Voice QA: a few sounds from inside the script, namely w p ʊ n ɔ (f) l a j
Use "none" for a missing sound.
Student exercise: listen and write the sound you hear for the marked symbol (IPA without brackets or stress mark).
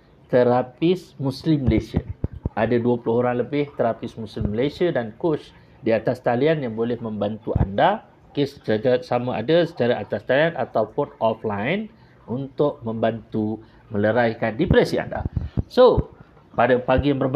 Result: f